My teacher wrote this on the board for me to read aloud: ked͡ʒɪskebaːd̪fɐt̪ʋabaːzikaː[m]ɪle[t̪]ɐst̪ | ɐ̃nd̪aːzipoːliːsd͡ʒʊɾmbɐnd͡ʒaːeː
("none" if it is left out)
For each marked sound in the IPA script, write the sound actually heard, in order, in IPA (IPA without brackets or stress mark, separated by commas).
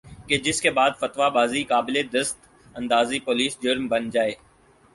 b, d̪